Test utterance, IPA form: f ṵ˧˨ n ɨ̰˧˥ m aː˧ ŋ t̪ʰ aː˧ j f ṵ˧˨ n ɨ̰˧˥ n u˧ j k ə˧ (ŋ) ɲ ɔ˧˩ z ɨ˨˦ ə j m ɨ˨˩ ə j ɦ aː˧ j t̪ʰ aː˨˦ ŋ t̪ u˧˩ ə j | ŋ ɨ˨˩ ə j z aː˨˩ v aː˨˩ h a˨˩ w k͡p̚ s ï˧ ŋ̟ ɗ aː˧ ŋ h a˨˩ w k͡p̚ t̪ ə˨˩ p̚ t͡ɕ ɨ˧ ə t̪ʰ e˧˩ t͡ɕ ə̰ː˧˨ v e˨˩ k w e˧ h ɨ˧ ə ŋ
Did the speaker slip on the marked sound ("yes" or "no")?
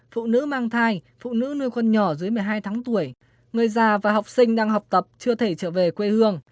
yes